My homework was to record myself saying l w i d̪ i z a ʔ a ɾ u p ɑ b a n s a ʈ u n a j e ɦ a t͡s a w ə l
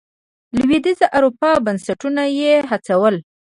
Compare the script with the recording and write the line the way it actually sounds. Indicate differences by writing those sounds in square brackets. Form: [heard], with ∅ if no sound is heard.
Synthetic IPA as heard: l w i d̪ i z a ʔ a ɾ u p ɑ b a n s a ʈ u n a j e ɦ a t͡s a w ə l